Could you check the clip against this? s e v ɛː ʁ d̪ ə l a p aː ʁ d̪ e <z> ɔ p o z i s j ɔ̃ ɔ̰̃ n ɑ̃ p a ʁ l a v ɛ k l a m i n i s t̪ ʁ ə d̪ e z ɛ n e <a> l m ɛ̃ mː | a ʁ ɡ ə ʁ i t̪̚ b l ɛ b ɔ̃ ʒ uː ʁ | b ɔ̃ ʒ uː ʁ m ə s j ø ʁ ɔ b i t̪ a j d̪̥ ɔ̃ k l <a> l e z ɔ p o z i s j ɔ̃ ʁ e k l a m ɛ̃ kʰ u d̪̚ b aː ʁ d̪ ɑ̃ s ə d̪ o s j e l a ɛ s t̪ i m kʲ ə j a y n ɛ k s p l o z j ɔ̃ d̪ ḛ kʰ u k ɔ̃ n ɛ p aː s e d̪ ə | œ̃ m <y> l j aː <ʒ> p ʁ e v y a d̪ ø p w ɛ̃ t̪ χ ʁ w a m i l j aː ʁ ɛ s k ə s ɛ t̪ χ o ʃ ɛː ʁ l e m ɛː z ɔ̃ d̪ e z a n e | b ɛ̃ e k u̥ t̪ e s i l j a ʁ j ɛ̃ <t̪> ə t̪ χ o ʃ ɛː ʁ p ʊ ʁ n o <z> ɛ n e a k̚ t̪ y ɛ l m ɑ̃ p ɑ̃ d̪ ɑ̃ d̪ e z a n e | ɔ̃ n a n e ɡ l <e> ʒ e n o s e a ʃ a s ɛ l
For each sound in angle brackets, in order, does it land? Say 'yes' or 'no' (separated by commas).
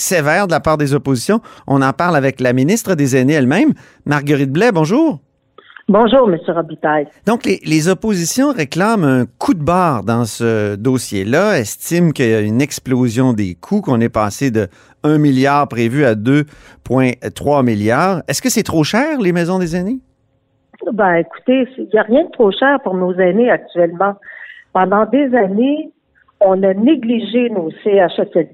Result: yes, no, no, no, no, no, yes, no